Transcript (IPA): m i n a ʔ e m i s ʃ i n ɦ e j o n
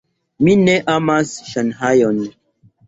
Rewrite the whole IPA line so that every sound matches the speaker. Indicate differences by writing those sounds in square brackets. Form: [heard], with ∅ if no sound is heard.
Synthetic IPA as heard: m i n [e] ʔ [a] m [a] s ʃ [a] n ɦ [a] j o n